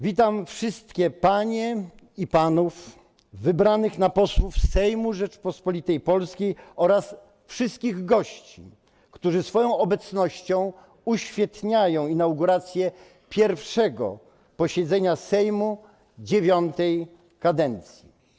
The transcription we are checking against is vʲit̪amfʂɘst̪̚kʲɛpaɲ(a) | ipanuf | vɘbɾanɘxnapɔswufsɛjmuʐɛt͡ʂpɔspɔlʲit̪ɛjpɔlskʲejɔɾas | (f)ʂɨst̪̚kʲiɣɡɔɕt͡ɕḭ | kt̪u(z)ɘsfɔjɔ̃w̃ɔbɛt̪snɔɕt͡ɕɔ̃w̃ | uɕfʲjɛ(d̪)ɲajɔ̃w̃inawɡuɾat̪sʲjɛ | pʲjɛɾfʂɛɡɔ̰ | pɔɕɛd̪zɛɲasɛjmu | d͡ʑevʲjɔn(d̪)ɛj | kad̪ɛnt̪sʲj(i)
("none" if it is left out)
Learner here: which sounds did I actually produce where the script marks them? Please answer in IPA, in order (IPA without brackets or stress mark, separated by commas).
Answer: ɛ, f, ʐ, t̪, t̪, i